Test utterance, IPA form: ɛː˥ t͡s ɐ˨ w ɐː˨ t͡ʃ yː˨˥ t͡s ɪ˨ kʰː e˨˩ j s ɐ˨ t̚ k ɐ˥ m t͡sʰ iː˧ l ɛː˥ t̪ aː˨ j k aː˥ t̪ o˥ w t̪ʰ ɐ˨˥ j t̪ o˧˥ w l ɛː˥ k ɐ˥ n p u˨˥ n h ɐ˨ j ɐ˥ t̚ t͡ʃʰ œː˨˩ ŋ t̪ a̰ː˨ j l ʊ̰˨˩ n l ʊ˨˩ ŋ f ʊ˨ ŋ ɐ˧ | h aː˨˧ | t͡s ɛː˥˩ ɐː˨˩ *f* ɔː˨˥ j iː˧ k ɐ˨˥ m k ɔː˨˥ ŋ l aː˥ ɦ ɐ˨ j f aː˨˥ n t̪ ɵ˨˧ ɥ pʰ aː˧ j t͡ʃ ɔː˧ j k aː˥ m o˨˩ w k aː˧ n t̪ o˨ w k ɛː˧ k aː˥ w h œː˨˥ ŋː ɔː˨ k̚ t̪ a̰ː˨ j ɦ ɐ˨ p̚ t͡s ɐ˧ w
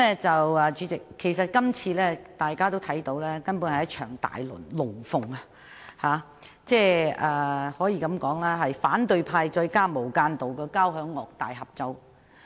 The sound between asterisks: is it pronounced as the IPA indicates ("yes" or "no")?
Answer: no